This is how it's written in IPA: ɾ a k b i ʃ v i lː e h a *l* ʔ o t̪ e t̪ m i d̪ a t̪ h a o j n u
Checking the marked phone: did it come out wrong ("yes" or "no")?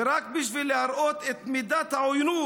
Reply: yes